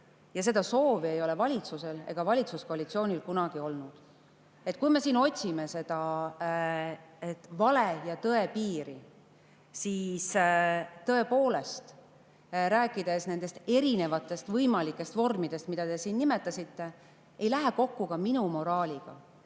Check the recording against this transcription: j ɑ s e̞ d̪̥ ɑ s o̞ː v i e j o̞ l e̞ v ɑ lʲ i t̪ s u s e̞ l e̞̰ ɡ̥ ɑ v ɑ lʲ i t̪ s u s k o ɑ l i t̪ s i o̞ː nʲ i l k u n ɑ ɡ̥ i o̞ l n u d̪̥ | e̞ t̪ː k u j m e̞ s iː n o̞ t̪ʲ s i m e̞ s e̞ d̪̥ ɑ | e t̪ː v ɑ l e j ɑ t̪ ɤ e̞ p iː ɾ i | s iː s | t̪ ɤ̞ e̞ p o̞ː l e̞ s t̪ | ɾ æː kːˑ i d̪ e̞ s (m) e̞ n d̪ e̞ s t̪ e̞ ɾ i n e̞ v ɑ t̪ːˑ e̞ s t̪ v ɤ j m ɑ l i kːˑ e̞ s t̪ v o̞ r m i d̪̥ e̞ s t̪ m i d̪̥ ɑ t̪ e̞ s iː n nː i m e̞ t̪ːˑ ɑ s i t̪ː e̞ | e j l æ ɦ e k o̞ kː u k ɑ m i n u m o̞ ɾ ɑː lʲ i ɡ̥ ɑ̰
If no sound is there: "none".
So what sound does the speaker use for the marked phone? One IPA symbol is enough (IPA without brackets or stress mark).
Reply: n